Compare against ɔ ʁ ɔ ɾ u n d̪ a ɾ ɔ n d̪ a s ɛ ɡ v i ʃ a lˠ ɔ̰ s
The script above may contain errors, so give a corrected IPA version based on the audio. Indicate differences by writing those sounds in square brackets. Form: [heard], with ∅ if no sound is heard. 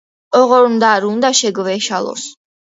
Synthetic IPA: ɔ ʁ ɔ ɾ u n d̪ a ɾ [u] n d̪ a [ʃ] ɛ ɡ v [ɛ] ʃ a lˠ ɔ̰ s